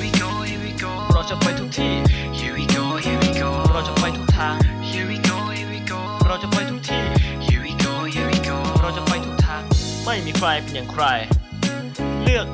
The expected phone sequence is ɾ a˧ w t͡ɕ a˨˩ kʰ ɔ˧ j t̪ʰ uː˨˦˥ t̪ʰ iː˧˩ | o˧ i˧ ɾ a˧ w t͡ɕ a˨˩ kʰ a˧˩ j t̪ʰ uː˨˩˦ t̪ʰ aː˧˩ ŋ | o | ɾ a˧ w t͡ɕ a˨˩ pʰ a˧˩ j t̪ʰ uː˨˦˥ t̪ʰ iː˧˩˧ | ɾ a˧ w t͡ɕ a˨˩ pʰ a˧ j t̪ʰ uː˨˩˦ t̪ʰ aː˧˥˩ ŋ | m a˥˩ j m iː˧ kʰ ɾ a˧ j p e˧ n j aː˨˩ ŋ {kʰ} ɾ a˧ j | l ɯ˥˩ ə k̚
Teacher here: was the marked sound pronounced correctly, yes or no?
yes